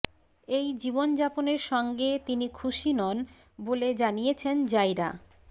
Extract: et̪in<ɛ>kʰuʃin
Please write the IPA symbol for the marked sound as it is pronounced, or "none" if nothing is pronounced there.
i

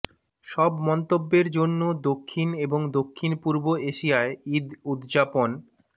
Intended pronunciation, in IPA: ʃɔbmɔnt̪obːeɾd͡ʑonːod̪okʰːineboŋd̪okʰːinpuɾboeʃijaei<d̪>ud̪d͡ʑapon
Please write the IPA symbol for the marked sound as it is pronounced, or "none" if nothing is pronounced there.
d̪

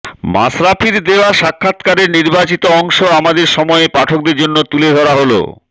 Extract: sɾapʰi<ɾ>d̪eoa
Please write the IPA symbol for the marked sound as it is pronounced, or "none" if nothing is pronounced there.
ɾ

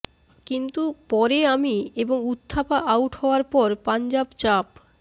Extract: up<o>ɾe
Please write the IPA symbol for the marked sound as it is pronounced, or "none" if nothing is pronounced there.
ɔ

